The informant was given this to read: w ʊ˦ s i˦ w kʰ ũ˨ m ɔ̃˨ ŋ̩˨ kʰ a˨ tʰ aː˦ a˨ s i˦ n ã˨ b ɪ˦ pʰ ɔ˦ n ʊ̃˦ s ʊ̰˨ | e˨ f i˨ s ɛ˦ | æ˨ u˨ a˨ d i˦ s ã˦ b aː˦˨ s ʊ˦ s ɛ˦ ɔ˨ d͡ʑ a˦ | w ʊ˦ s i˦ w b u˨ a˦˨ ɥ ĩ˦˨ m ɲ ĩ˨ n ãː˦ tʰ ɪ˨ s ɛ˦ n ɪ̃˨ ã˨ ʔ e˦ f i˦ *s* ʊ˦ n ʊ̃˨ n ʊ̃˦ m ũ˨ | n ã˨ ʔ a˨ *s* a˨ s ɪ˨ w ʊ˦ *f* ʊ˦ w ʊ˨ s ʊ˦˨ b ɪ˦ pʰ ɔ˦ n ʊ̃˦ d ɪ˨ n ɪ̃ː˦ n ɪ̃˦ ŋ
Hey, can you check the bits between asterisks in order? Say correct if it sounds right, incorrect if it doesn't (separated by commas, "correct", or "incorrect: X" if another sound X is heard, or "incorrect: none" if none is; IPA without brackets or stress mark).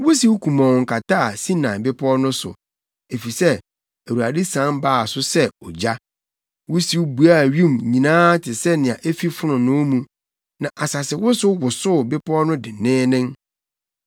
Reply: incorrect: f, correct, incorrect: s